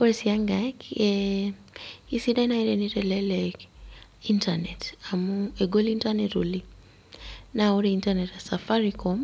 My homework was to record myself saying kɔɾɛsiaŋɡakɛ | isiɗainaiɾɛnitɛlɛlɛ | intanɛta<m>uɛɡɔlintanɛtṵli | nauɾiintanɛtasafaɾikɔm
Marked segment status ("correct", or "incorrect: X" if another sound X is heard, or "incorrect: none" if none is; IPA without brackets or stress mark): correct